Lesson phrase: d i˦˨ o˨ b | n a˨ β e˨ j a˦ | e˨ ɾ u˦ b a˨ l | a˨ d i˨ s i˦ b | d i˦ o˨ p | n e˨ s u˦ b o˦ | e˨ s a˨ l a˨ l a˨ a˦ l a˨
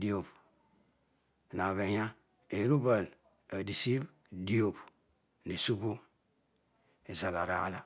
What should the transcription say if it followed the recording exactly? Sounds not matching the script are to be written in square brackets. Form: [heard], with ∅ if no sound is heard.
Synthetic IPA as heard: d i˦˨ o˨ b | n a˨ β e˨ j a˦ | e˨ ɾ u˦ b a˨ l | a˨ d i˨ s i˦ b | d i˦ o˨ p | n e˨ s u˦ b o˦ | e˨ [z] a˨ l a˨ [ɾ] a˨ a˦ l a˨